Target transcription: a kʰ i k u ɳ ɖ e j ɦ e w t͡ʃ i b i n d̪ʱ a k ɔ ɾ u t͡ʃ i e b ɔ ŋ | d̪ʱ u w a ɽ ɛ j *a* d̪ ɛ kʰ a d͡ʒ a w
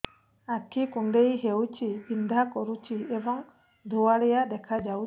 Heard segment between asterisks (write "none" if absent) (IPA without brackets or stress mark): a